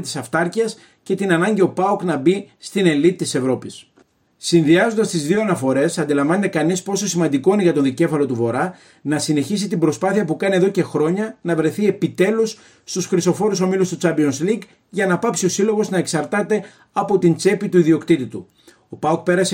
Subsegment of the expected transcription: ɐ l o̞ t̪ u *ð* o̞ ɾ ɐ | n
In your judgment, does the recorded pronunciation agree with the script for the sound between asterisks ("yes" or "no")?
no